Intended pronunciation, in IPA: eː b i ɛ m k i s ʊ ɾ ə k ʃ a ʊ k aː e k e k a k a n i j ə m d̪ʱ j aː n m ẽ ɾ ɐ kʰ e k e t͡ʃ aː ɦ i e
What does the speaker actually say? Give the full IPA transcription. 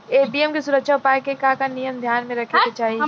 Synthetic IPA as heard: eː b i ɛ m k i s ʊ ɾ ə k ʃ a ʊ p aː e k e k a k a n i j ə m d̪ʱ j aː n m ẽ ɾ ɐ kʰ e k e t͡ʃ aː ɦ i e